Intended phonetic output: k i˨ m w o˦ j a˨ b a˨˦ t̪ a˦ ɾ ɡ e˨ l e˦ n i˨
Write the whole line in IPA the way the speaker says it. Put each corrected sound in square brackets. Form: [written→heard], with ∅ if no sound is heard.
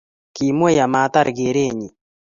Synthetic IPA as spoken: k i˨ m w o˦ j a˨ [b→m] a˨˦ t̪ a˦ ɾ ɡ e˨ [l→ɾ] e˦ [n→ɲ] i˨